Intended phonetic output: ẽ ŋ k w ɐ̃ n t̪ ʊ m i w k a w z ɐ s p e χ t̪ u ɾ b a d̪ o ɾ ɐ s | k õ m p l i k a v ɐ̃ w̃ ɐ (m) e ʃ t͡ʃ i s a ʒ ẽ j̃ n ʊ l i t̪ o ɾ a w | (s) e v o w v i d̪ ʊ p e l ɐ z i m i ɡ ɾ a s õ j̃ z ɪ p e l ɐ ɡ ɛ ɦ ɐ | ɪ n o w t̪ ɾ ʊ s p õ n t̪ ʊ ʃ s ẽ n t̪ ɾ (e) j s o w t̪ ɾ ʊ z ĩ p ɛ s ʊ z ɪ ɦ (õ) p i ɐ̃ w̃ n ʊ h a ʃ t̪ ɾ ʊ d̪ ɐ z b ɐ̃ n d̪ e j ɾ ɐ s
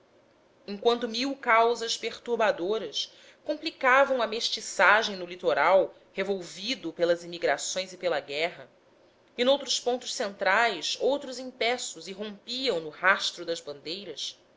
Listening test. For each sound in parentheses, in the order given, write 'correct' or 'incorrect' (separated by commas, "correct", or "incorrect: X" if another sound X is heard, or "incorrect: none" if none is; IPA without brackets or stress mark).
correct, incorrect: h, incorrect: a, correct